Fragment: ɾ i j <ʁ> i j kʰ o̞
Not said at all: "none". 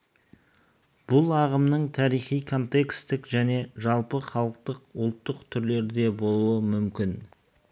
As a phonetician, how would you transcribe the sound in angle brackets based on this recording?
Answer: χ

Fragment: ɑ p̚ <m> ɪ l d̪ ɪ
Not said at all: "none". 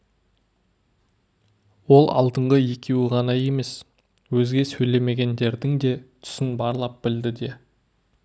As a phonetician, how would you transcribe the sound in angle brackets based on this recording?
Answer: b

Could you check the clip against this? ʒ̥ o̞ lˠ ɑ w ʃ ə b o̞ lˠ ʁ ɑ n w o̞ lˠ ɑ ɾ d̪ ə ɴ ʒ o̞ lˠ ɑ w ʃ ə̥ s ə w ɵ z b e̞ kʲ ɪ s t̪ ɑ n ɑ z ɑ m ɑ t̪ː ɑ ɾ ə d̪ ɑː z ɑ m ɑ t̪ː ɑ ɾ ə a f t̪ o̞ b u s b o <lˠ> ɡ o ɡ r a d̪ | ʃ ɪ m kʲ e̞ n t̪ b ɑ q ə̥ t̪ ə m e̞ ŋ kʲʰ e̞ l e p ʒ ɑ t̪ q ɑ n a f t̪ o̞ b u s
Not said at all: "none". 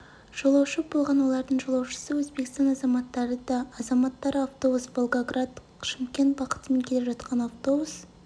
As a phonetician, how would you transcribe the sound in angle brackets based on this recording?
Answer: lˠ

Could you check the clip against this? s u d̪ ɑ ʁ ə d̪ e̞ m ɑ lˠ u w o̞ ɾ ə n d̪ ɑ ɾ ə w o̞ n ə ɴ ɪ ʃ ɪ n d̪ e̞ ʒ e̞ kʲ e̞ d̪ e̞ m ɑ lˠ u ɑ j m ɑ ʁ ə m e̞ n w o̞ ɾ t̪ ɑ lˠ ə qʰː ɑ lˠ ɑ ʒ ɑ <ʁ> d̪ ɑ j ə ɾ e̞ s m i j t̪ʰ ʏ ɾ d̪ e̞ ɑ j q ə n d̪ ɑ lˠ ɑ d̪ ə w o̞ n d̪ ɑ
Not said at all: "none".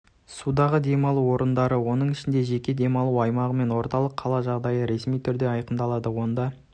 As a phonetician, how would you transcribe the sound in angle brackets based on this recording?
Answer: ʁ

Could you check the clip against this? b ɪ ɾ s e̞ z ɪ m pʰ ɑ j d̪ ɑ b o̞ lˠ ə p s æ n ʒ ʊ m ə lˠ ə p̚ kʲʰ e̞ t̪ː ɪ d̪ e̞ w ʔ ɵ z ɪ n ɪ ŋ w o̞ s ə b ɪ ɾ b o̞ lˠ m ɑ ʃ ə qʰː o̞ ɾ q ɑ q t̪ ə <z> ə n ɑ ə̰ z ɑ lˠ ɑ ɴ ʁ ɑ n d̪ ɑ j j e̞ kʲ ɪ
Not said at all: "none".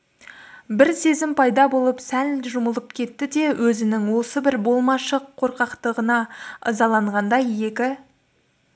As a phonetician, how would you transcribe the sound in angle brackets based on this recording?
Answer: ʁ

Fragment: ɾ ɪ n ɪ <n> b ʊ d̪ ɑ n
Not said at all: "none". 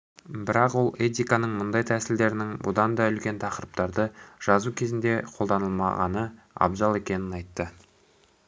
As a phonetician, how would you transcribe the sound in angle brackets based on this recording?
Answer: ŋ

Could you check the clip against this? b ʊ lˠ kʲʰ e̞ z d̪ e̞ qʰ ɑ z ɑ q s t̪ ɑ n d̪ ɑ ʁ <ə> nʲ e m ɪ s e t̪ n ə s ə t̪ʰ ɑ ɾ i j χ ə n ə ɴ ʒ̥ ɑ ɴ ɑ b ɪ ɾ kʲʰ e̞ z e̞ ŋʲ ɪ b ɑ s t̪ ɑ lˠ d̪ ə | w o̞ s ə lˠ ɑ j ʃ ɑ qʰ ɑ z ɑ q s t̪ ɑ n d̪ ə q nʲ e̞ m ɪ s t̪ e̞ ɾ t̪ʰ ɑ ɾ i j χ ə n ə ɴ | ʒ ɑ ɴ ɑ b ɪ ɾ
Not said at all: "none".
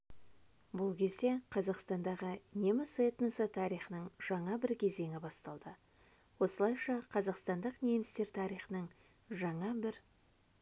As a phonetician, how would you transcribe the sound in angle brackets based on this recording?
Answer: ə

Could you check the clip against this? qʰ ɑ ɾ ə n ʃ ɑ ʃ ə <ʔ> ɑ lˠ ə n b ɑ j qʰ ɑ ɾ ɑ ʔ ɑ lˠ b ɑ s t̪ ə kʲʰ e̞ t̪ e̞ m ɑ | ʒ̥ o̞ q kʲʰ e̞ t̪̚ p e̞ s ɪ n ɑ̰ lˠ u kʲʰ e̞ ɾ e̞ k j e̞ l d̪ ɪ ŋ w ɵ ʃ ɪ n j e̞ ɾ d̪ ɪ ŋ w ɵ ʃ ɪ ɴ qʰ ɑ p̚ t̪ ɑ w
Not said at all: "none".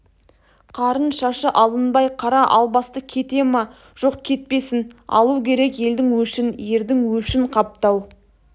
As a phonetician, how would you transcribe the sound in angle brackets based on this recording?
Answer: ʔ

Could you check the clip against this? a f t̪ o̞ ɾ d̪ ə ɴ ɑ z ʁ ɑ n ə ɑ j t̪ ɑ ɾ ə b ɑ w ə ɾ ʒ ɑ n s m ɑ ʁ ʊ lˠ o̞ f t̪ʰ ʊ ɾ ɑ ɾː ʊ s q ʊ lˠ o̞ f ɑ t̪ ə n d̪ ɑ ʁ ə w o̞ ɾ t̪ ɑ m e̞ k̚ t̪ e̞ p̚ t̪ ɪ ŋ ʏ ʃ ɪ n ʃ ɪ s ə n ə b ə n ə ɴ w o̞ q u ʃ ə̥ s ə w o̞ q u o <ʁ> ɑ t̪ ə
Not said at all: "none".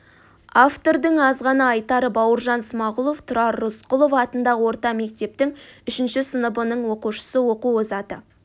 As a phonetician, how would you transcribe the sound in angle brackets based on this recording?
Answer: z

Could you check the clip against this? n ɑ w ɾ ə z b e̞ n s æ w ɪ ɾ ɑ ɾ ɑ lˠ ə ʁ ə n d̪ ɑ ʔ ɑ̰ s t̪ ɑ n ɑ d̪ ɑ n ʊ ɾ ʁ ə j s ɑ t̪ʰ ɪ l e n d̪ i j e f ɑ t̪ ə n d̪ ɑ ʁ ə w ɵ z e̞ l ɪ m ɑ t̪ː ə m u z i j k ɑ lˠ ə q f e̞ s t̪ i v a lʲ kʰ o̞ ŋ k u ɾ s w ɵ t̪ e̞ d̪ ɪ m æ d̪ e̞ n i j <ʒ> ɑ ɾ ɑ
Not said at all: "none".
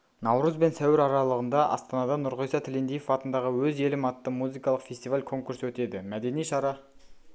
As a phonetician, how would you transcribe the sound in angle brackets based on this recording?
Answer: ʃ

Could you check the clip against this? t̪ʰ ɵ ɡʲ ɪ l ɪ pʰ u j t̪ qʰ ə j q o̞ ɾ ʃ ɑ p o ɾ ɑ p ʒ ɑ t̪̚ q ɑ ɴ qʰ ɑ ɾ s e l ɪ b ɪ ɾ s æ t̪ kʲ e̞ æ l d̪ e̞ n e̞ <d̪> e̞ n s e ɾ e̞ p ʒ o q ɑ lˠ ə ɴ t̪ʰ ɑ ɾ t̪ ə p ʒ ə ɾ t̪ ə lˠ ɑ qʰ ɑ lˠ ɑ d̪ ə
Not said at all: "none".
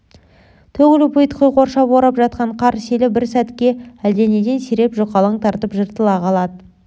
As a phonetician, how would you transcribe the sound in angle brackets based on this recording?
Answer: d̪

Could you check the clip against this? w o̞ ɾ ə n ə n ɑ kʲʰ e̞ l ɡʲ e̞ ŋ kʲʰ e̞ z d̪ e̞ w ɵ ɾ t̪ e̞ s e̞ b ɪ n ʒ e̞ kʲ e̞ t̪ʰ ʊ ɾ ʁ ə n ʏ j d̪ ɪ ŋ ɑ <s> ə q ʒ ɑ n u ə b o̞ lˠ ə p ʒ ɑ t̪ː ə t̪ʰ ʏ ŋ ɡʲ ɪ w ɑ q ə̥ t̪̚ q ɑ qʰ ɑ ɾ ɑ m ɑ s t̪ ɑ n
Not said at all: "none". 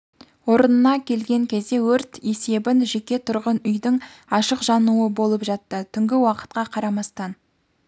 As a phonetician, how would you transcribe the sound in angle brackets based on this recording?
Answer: ʃ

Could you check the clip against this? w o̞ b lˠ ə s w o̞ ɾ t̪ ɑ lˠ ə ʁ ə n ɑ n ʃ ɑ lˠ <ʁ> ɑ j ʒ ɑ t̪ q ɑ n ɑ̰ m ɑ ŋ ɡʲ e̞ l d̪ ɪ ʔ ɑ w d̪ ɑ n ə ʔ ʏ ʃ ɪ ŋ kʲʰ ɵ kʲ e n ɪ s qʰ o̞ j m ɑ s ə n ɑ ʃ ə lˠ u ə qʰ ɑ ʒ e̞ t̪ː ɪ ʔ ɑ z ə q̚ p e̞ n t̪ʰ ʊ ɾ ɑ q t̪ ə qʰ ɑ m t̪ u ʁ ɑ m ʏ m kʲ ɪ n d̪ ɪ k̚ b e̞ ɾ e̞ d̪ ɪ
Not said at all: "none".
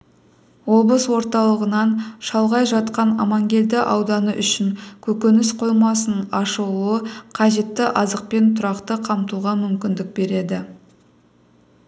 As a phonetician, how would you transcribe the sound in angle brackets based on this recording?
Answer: ʁ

